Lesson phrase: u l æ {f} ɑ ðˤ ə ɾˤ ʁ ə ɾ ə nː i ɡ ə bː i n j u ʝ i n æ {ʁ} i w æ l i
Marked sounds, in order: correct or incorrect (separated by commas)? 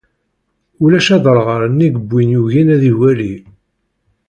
incorrect, incorrect